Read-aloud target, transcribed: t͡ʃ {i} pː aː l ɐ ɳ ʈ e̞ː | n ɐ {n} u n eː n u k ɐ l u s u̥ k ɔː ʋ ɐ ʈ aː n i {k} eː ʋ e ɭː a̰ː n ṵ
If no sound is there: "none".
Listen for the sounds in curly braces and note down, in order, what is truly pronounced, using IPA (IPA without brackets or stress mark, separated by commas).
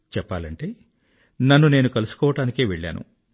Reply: ɛ, nː, k